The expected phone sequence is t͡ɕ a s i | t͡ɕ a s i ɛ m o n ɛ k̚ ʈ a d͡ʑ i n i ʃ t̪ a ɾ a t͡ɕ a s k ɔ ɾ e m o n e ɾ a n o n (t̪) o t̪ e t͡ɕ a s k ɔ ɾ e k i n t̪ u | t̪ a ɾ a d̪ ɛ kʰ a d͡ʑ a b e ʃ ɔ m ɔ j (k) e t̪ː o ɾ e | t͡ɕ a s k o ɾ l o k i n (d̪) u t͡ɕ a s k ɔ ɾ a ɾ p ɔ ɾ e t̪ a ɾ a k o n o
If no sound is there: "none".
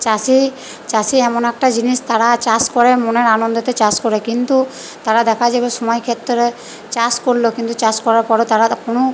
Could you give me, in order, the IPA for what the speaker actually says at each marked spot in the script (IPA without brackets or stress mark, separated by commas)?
d̪, kʰ, t̪